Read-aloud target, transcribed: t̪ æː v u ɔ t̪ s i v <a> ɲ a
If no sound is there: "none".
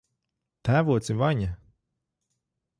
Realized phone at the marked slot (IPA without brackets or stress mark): a